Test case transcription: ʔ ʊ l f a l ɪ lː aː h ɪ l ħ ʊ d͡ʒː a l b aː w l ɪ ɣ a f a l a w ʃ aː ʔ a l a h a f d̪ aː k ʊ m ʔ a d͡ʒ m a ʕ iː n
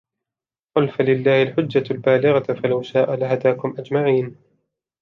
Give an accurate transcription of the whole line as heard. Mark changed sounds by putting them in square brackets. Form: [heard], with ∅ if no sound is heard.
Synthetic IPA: [q] ʊ l f a l ɪ lː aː h ɪ l ħ ʊ d͡ʒː a l b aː [∅] l ɪ ɣ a f a l a w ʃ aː ʔ a l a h a [∅] d̪ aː k ʊ m ʔ a d͡ʒ m a ʕ iː n